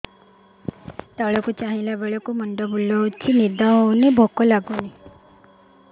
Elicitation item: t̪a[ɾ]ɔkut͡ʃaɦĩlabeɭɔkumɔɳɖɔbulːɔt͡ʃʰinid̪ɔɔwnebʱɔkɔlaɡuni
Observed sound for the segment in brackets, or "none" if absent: ɭ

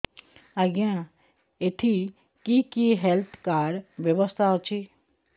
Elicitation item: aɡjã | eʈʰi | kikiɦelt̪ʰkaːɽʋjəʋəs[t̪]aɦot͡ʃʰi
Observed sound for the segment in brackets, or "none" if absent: t̪ʰ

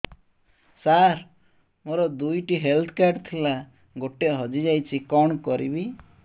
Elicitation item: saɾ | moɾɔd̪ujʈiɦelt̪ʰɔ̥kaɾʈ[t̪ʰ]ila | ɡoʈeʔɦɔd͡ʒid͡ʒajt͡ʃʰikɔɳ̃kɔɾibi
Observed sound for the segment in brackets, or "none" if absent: t̪ʰ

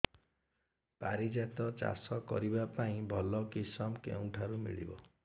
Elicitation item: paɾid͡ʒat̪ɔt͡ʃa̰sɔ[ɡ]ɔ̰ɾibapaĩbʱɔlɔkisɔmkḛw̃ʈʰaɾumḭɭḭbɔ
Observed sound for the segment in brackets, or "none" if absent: k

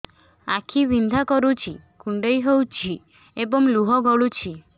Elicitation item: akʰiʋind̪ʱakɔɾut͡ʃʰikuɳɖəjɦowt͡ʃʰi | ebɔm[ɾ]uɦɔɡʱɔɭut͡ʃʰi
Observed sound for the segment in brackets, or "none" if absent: l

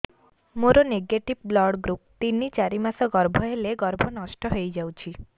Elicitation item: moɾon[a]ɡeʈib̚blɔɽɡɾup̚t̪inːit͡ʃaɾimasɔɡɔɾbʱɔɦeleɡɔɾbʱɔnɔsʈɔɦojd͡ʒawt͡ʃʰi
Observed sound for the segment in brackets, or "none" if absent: e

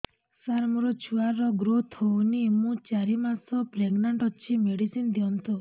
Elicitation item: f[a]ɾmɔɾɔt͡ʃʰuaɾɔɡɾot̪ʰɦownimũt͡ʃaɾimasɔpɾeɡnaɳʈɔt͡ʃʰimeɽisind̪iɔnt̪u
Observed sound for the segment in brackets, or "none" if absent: a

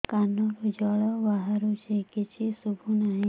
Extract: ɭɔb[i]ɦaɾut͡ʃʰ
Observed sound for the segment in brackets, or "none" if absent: a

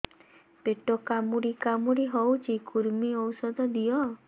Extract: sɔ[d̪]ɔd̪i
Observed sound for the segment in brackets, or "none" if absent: d̪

